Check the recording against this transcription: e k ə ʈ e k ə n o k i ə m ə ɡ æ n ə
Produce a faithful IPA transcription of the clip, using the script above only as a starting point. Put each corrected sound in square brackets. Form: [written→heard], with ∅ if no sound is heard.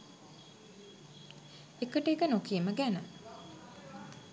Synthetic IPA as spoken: e k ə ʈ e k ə n o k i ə m ə ɡ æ n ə